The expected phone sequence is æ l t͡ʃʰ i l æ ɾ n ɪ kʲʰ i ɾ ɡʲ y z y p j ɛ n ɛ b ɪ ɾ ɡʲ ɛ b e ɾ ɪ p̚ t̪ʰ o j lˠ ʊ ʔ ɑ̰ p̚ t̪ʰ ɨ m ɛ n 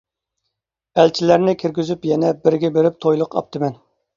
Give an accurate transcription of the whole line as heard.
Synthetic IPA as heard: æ l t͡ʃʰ i l æ ɾ n ɪ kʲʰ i ɾ ɡʲ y z y p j ɛ n ɛ b ɪ ɾ ɡʲ ɛ b e ɾ ɪ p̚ t̪ʰ o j lˠ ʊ q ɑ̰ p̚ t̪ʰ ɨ m ɛ n

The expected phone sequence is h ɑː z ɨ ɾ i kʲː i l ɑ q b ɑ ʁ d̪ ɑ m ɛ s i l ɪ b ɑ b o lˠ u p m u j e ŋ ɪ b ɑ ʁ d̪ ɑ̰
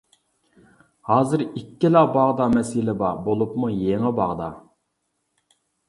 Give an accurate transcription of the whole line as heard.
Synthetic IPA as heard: h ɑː z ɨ ɾ i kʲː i l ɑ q b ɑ ʁ d̪ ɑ m ɛ s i l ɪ b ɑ b o lˠ u p m u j e ŋ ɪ b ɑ ʁ d̪ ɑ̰

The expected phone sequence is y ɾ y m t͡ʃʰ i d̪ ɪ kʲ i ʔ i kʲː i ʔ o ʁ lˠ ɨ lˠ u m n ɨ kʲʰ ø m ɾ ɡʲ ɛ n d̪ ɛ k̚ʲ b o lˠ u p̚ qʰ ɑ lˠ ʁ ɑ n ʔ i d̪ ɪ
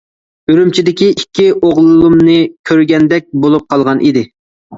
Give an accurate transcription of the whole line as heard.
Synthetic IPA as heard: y ɾ y m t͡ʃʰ i d̪ ɪ kʲ i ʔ i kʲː i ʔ o ʁ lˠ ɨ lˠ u m n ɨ kʲʰ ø ɾ ɡʲ ɛ n d̪ ɛ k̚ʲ b o lˠ u p̚ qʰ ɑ lˠ ʁ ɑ n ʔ i d̪ ɪ

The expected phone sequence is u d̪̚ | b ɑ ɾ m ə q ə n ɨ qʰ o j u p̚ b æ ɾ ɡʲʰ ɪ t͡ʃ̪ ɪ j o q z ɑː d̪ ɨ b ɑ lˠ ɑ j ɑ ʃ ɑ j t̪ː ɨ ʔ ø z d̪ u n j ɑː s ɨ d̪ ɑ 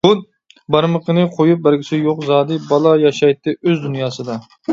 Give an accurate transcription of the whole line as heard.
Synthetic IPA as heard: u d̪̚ | b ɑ ɾ m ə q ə n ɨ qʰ o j u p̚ b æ ɾ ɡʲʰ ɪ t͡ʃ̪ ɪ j o q z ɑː d̪ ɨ b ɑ lˠ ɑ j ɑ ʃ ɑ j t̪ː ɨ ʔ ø z d̪ u n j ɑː s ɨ d̪ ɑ

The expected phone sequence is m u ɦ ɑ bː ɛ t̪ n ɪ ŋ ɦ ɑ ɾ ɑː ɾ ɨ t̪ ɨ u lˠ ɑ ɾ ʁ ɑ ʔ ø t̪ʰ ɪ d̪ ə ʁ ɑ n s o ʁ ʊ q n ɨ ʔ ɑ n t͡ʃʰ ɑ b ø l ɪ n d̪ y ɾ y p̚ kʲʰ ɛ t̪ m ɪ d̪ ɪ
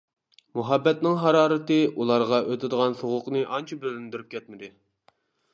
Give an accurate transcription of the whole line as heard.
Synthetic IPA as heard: m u ɦ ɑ bː ɛ t̪ n ɪ ŋ ɦ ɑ ɾ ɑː ɾ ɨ t̪ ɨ u lˠ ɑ ɾ ʁ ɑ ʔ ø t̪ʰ ɪ d̪ ə ʁ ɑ n s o ʁ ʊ q n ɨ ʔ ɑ n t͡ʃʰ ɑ b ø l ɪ n d̪ y ɾ y p̚ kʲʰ ɛ t̪ m ɪ d̪ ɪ

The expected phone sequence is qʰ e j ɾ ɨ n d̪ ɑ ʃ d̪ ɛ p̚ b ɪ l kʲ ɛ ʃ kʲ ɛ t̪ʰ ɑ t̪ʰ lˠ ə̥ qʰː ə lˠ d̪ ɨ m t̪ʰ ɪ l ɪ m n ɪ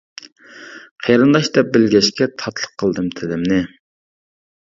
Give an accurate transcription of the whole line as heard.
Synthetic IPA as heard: qʰ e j ɾ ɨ n d̪ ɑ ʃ d̪ ɛ p̚ b ɪ l ɡʲ ɛ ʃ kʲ ɛ t̪ʰ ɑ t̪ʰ lˠ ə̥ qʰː ə lˠ d̪ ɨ m t̪ʰ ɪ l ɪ m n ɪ

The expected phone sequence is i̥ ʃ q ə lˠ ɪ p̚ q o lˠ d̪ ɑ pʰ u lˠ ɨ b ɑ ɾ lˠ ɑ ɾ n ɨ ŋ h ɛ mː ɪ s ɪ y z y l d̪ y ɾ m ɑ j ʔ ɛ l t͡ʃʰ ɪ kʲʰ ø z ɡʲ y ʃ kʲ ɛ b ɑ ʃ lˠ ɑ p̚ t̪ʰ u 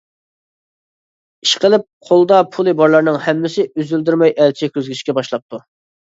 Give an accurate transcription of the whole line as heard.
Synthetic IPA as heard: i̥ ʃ q ə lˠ ɪ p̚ qʰ o lˠ d̪ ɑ pʰ u lˠ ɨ b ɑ ɾ lˠ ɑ ɾ n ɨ ŋ h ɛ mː ɪ s ɪ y z y l d̪ y ɾ m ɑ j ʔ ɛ l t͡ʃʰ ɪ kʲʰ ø z ɡʲ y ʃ kʲ ɛ b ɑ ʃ lˠ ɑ p̚ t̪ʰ u

